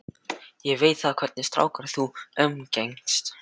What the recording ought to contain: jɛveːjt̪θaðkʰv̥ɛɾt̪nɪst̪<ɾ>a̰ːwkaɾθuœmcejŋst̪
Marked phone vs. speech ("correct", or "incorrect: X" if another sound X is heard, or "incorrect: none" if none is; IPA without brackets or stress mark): correct